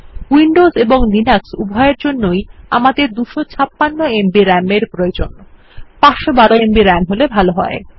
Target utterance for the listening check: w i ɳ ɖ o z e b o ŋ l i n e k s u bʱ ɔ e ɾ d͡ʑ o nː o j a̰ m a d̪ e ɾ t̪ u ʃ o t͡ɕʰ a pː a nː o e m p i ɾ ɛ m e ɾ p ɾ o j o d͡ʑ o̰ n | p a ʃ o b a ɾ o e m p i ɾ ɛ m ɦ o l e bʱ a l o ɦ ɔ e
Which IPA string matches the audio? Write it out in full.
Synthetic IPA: w i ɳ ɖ o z e b o ŋ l i n a k s u bʱ ɔ e ɾ d͡ʑ o nː o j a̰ m a d̪ e ɾ d̪ u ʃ o t͡ɕʰ a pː a nː o e m b i ɾ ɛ m e ɾ p ɾ o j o d͡ʑ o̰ n | p a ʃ o b a ɾ o e m b i ɾ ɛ m ɦ o l e bʱ a l o ɦ ɔ e